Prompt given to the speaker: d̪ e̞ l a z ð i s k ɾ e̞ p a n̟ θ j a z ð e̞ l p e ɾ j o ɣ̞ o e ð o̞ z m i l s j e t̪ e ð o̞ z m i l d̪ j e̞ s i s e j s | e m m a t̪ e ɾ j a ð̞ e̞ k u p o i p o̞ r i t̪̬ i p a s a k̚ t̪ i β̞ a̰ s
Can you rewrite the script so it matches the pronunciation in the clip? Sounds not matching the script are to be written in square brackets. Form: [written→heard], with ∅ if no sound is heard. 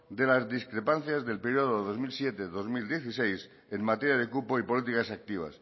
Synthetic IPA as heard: d̪ e̞ l a z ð i s k ɾ e̞ p a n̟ θ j a z ð e̞ l p e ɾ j o [ɣ̞→ð̞] o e ð o̞ z m i l s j e t̪ e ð o̞ z m i l d̪ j e̞ [s→θ] i s e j s | e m m a t̪ e ɾ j a ð̞ e̞ k u p o i p o̞ [r→l] i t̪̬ i [p→k] a s a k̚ t̪ i β̞ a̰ s